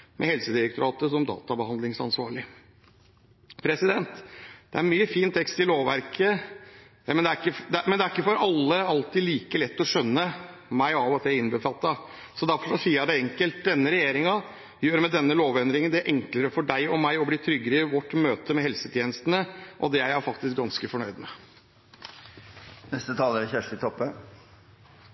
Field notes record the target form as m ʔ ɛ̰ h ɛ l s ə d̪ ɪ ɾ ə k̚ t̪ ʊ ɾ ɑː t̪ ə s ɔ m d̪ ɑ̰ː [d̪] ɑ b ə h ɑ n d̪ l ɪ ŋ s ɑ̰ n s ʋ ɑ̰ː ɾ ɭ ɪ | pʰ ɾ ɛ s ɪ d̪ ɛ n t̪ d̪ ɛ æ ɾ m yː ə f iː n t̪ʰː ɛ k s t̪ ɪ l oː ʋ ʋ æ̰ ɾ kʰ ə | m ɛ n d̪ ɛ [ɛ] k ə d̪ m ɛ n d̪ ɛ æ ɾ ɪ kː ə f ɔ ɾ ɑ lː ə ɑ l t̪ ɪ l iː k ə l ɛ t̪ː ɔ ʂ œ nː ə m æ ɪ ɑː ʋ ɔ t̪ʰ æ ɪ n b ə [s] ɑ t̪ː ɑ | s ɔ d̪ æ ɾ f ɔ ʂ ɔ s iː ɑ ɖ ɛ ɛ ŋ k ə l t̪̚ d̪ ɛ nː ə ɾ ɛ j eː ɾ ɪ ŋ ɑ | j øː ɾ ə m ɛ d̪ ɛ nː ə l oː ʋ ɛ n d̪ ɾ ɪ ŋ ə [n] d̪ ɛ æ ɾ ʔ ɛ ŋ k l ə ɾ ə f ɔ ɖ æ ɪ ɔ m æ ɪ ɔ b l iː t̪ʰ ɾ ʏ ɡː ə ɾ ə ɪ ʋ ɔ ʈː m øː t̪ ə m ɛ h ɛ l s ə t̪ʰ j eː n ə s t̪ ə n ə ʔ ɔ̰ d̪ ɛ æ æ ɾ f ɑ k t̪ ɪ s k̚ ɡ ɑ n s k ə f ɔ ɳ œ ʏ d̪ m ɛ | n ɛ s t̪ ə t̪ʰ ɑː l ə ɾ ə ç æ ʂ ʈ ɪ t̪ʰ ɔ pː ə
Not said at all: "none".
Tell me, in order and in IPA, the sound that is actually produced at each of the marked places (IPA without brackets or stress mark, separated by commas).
t̪, æ, f, n